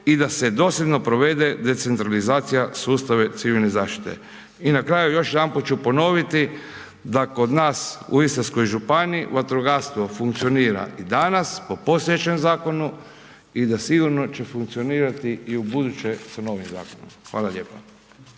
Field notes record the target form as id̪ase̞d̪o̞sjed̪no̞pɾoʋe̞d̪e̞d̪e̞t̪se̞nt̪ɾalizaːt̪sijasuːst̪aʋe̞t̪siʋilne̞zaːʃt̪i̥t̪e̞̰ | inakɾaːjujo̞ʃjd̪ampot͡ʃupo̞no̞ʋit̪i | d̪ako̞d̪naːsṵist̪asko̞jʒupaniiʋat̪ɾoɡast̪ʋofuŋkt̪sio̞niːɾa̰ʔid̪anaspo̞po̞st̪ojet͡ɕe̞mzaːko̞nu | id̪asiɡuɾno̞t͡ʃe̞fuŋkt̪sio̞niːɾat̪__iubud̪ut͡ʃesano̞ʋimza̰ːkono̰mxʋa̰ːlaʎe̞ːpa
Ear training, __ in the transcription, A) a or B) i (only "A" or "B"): B